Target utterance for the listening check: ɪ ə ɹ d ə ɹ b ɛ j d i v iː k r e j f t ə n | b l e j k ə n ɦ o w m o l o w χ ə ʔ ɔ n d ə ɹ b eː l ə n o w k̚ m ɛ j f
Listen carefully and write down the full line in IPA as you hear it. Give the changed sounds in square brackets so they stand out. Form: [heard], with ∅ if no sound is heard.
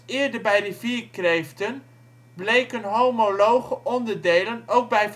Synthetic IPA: ɪ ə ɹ d ə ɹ b ɛ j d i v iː k r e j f t ə n | b l e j k ə n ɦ o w m o l o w χ ə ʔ ɔ n d ə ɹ [d] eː l ə n o w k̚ [b] ɛ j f